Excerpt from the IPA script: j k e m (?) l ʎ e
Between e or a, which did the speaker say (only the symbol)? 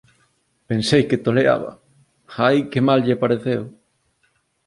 a